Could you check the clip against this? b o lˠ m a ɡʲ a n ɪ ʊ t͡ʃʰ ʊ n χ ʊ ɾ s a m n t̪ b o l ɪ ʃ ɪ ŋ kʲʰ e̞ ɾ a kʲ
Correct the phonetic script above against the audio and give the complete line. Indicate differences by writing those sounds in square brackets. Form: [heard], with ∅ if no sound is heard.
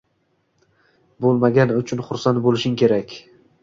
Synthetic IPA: b o lˠ m a ɡʲ a n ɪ ʊ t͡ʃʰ ʊ n χ ʊ ɾ s a [∅] n t̪ b o l ɪ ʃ ɪ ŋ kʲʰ e̞ ɾ a kʲ